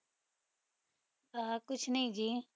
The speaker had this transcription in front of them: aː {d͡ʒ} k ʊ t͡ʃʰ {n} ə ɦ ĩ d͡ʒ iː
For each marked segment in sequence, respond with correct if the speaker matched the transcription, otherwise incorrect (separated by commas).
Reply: incorrect, correct